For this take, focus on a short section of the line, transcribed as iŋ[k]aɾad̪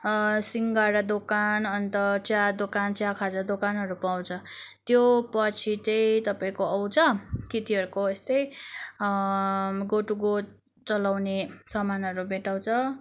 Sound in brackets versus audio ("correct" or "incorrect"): incorrect